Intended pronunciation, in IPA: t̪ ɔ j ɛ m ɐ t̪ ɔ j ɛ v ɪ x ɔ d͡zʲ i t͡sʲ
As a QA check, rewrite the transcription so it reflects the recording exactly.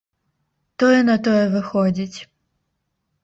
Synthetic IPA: t̪ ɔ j ɛ n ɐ t̪ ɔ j ɛ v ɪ x ɔ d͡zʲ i t͡sʲ